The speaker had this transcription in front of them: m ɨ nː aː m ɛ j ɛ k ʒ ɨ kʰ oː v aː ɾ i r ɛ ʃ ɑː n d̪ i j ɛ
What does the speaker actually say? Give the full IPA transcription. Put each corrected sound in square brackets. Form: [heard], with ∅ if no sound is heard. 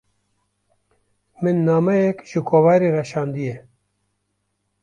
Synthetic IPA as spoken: m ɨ nː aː m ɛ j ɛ k ʒ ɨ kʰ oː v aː ɾ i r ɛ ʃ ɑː n d̪ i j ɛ